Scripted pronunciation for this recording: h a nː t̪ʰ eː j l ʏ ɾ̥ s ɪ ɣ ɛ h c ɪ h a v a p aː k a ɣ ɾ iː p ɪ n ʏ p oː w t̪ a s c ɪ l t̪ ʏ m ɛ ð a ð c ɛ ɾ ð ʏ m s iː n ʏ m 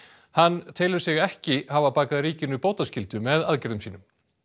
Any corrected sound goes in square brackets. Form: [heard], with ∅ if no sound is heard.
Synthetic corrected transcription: h a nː t̪ʰ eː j l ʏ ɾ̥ s ɪ ɣ ɛ h c ɪ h a v a p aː k a [ð] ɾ iː [c] ɪ n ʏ p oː w t̪ a s c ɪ l t̪ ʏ m ɛ ð a ð c ɛ ɾ ð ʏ m s iː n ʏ m

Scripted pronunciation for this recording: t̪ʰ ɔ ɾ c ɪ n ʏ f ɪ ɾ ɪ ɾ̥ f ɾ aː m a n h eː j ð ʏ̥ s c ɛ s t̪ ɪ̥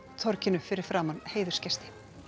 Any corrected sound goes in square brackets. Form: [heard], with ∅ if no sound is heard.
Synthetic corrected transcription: t̪ʰ ɔ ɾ c ɪ n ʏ f ɪ ɾ ɪ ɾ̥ f ɾ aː m a n h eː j ð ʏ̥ s c ɛ s t̪ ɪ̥

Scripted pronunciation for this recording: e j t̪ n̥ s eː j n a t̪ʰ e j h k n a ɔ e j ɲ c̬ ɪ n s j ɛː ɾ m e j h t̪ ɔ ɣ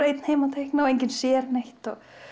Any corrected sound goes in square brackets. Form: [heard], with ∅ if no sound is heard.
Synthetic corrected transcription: e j t̪ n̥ [h] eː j [m] a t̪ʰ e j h k n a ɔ e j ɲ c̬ ɪ n s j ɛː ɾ [n] e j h t̪ ɔ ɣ

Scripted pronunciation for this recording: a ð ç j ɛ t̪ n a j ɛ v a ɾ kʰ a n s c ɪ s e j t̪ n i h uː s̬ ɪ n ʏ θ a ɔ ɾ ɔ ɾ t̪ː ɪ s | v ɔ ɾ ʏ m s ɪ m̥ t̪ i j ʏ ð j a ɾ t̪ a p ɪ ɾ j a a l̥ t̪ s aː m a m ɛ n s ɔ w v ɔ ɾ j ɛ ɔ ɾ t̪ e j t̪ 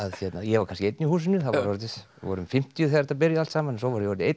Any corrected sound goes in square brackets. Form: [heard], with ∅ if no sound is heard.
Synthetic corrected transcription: a ð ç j ɛ t̪ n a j ɛ v a ɾ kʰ a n s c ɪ [∅] e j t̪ n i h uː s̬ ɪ n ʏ θ a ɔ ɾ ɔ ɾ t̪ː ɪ s | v ɔ ɾ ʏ m [f] ɪ m̥ t̪ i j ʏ [θ] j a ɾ t̪ a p ɪ ɾ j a a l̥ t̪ s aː m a [n] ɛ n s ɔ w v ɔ ɾ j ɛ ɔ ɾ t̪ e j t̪

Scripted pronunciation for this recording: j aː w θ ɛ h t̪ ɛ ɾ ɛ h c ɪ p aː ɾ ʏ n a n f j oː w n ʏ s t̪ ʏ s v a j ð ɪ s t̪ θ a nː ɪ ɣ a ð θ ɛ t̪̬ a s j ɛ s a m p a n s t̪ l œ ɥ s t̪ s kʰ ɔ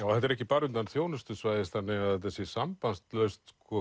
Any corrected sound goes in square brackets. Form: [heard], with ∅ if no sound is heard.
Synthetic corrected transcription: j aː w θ ɛ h t̪ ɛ ɾ ɛ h c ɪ p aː ɾ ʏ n a n [θ] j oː w n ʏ s t̪ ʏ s v a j ð ɪ s t̪ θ a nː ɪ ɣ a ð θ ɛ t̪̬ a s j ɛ s a m p a n s t̪ l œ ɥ s t̪ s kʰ ɔ

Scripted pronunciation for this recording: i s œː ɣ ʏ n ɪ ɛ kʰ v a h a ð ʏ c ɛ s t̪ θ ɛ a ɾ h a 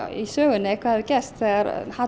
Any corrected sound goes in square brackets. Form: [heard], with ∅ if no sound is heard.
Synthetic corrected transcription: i s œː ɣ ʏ n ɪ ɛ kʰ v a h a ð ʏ c ɛ s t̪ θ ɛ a ɾ h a

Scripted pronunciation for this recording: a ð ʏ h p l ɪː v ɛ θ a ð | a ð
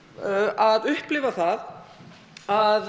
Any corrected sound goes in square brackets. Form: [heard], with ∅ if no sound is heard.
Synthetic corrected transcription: a ð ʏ h p l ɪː v [a] θ a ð | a ð

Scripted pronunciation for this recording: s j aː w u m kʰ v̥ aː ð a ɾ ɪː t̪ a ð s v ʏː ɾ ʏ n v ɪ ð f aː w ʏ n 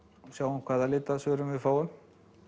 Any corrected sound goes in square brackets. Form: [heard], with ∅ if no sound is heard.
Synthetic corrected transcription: s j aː w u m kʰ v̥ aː ð a [l] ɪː t̪ a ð s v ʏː ɾ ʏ [m] v ɪ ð f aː w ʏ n

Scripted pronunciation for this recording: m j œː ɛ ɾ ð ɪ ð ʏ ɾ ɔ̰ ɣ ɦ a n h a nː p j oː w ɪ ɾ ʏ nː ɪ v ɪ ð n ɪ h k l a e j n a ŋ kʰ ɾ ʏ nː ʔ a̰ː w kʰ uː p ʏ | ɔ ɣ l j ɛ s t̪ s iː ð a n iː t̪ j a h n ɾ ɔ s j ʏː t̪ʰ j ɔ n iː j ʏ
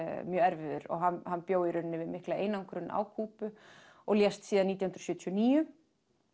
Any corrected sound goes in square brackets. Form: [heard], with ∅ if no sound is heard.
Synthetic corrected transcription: m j œː ɛ ɾ [v] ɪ ð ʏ ɾ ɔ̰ ɣ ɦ a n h a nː p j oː w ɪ ɾ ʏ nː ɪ v ɪ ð [m] ɪ h k l a e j n a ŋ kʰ ɾ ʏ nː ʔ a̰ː w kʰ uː p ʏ | ɔ ɣ l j ɛ s t̪ s iː ð a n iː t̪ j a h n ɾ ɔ s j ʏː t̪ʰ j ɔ n iː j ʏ

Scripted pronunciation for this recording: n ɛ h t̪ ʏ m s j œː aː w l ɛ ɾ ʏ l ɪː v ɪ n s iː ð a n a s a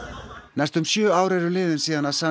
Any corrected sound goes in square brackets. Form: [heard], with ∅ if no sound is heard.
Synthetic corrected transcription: n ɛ [s] t̪ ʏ m s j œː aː w [ɾ] ɛ ɾ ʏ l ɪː [ð] ɪ n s iː ð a n a s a

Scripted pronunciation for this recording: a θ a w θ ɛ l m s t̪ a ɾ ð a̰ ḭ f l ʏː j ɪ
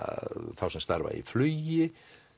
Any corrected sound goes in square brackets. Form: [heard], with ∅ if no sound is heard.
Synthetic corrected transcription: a θ a w [s] ɛ [∅] m s t̪ a ɾ [v] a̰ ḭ f l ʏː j ɪ

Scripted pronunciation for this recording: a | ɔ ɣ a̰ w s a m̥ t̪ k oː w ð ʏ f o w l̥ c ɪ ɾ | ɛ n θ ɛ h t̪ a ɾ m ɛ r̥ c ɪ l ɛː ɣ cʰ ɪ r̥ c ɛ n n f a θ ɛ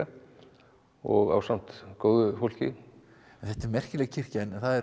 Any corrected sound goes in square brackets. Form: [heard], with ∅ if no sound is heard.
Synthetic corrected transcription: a | ɔ ɣ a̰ w s a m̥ t̪ k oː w ð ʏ f o w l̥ c ɪ [∅] | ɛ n θ ɛ h t̪ [ɛ] ɾ m ɛ r̥ c ɪ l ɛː ɣ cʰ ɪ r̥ c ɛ n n [θ] a [ð] ɛ

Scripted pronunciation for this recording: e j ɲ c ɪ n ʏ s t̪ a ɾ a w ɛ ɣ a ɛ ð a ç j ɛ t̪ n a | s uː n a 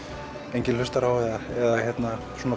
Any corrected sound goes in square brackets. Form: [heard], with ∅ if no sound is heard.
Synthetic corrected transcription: e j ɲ c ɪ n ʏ s t̪ a ɾ a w ɛ [ð] a ɛ ð a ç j ɛ t̪ n a | s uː n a

